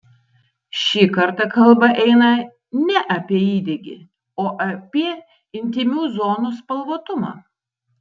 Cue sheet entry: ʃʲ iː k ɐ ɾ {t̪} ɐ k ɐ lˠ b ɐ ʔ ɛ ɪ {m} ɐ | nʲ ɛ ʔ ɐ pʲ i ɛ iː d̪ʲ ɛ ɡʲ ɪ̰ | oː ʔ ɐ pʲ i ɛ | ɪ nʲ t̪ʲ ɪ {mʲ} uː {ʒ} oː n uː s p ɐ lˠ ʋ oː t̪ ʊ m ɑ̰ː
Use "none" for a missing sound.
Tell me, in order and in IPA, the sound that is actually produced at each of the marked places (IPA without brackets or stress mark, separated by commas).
t̪, n, mʲ, z